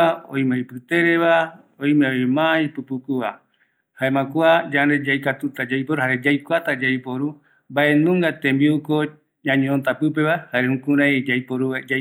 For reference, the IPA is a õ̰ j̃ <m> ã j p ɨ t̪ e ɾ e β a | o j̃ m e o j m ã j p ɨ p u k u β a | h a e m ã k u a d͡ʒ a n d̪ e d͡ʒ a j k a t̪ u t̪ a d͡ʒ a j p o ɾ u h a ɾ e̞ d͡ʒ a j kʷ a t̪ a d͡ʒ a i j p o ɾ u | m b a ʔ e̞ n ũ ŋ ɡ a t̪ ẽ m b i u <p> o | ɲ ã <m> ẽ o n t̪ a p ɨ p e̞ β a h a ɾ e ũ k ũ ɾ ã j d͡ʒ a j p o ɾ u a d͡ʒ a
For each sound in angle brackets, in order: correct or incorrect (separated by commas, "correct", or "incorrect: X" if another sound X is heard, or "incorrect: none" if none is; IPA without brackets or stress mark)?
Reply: correct, incorrect: k, incorrect: ɲ